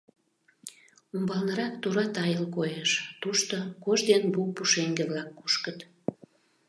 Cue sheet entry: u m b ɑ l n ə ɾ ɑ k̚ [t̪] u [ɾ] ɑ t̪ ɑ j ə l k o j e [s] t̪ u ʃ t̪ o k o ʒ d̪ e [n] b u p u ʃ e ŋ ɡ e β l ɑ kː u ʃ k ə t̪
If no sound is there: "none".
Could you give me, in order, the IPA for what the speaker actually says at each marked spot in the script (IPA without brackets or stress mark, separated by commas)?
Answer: t̪, ɾ, ʃ, n